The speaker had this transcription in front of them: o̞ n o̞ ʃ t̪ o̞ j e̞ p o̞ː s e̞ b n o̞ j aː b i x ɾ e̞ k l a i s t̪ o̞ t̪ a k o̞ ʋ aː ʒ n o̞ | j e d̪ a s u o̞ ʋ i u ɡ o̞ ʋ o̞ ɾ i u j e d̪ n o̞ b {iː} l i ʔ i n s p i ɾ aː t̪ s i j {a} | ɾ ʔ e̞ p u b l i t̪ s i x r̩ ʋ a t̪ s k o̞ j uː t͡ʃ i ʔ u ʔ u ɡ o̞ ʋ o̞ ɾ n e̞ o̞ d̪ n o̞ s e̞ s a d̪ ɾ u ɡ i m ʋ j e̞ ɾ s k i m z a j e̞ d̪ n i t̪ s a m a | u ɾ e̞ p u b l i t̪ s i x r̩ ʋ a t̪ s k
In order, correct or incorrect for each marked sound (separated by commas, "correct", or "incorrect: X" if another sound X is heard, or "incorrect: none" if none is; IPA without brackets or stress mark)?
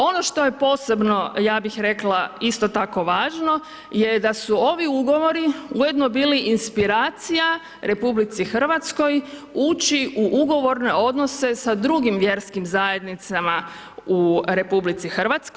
correct, correct